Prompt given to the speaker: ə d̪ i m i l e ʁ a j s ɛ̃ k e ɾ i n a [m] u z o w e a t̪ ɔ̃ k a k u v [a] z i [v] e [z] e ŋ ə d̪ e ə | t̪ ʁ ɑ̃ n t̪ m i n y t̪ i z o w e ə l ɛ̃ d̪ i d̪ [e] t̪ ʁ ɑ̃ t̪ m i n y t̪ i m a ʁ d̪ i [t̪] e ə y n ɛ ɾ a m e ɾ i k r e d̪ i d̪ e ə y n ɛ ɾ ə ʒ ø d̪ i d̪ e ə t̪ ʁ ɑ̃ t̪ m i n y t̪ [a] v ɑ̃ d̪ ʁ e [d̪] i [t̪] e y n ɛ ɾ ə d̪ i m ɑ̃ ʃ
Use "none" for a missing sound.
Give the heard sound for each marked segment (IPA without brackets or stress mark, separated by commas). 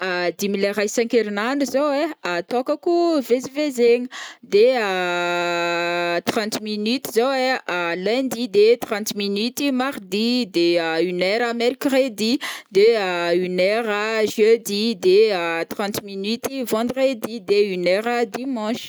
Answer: n, e, v, z, e, d̪, i, d̪, d̪